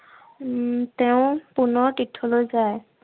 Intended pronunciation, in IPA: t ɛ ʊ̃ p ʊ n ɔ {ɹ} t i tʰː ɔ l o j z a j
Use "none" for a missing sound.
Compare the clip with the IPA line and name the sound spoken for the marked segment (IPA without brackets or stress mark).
ɹ